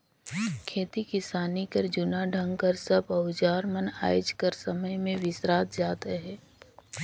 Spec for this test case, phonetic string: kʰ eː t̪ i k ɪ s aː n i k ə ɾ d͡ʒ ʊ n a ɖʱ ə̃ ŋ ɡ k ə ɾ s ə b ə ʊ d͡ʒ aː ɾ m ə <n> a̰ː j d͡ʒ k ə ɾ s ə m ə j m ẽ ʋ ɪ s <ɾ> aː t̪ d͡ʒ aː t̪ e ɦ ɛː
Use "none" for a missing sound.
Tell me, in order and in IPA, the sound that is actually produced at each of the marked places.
n, ɾ

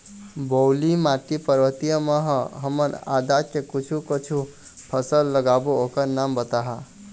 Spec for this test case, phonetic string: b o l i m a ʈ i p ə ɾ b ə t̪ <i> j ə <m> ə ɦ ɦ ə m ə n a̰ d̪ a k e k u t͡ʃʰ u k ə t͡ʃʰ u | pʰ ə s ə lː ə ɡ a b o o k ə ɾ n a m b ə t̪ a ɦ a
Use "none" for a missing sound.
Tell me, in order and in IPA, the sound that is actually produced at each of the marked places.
i, m

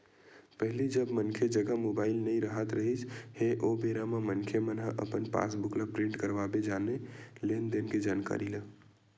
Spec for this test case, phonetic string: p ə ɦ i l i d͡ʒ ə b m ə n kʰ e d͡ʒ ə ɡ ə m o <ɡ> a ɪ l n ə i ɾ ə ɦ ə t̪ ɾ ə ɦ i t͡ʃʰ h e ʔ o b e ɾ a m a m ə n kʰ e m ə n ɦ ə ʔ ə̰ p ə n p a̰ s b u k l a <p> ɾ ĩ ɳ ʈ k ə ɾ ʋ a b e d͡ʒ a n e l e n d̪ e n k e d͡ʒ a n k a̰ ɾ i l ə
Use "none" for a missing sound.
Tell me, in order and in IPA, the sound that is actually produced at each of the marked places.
b, p

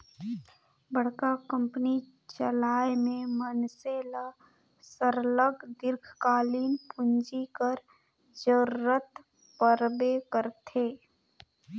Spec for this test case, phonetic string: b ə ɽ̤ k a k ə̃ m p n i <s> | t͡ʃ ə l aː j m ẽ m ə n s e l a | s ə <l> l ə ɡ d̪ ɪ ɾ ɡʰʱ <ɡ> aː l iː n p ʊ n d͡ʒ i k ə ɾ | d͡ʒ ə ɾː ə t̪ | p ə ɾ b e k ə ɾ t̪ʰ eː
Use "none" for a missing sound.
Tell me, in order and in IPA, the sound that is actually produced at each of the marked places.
none, ɾ, k

